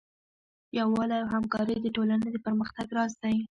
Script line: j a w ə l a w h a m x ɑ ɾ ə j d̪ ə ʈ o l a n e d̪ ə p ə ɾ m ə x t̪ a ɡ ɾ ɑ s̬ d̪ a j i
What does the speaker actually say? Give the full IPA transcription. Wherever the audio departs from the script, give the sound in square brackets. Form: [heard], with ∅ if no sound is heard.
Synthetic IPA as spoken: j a w [ɑ] l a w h a m [k] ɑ ɾ ə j d̪ ə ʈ o l a n e d̪ ə p ə ɾ m ə x t̪ a ɡ ɾ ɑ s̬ [t̪] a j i